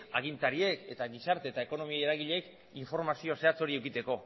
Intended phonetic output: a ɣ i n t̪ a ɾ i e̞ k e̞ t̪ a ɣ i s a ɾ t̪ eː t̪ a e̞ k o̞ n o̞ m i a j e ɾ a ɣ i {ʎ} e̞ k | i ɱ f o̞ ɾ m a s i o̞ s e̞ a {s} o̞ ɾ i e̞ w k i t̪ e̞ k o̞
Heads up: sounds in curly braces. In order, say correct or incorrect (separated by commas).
correct, incorrect